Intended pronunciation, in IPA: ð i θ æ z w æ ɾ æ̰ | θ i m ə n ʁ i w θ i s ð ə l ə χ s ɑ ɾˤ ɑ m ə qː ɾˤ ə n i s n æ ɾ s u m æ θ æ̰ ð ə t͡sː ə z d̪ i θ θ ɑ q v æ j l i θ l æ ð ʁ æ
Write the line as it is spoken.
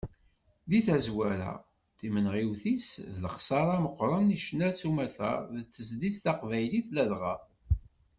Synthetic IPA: ð i θ æ z w æ ɾ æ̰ | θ i m ə n ʁ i w θ i s ð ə l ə χ s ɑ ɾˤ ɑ m ə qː ɾˤ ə n i ʃ n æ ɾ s u m æ θ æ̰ ð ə t͡sː ə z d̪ i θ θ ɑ q v æ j l i θ l æ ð ʁ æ